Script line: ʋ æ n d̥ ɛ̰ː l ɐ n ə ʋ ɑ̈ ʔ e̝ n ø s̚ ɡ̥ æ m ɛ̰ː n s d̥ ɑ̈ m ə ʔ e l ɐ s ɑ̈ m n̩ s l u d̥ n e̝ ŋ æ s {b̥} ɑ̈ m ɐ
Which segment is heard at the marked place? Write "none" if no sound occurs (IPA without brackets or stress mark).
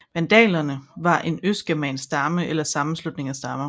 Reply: d̥